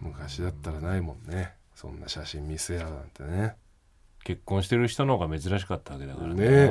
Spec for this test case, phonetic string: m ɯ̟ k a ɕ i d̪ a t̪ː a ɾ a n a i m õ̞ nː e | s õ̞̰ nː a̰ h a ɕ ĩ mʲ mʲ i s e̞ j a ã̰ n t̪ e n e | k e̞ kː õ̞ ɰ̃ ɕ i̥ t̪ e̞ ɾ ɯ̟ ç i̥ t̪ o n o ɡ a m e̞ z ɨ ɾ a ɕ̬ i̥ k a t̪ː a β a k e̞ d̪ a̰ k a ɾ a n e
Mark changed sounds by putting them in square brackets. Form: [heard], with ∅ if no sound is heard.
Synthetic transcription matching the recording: m ɯ̟ k a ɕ i d̪ a t̪ː a ɾ a n a i m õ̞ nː e | s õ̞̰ nː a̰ [ɕ] a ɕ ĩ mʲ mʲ i s e̞ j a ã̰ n t̪ e n e | k e̞ kː õ̞ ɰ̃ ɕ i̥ t̪ e̞ ɾ ɯ̟ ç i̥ t̪ o n o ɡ a m e̞ z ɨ ɾ a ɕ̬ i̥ k a t̪ː a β a k e̞ d̪ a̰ k a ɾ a n e